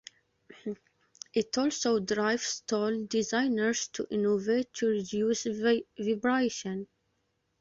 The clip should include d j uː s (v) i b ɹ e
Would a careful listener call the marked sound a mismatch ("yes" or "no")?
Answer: no